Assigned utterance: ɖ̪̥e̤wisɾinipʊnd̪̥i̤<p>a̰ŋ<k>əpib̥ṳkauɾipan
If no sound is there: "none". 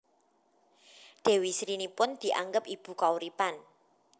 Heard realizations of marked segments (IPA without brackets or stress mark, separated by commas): ʔ, ɡ